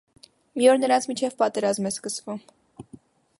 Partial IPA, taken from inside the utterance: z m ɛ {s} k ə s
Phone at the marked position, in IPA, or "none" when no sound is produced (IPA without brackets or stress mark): s